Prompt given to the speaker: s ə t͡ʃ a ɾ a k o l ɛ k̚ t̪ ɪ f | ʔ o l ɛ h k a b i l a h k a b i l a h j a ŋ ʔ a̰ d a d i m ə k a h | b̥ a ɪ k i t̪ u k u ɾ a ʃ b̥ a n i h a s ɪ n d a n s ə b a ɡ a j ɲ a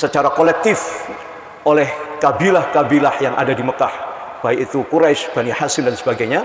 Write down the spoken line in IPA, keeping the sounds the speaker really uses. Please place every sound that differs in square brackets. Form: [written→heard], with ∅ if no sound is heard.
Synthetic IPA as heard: s ə t͡ʃ a ɾ a k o l ɛ k̚ t̪ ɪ f | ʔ o l ɛ h k a b i l a h k a b i l a h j a ŋ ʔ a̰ d a d i m ə k a h | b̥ a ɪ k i t̪ u k u ɾ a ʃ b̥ a n i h a s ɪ n d a n s ə b a ɡ a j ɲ a